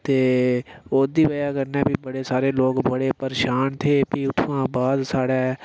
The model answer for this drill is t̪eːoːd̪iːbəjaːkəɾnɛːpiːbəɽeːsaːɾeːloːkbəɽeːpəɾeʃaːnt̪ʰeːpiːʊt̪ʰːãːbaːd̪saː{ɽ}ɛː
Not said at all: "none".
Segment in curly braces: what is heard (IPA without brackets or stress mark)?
ɽ